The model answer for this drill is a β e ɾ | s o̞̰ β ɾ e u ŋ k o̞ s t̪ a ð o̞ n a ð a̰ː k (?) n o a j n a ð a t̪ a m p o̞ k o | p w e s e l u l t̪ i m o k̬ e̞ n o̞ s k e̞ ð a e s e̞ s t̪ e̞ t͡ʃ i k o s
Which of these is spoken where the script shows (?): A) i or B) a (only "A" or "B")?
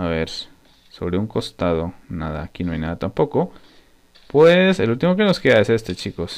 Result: A